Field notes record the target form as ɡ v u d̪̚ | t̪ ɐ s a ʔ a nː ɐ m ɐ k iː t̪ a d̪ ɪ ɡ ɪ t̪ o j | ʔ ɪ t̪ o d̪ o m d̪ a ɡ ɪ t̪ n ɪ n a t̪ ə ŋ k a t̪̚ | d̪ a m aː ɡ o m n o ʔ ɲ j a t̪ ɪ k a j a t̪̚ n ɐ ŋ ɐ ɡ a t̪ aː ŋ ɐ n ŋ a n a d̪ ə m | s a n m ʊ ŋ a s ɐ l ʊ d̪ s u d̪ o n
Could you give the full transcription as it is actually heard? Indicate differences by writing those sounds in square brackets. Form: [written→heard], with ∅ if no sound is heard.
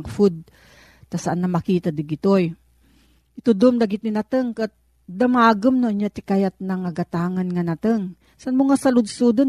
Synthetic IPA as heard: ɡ [v→f] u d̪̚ | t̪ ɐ s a ʔ a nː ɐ m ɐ k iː t̪ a d̪ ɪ ɡ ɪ t̪ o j | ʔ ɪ t̪ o d̪ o m d̪ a ɡ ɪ t̪ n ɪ n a t̪ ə ŋ k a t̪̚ | d̪ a m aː ɡ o m n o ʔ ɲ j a t̪ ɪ k a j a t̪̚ n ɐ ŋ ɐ ɡ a t̪ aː ŋ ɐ n ŋ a n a [d̪→t̪] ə [m→ŋ] | s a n m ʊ ŋ a s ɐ l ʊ d̪ s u d̪ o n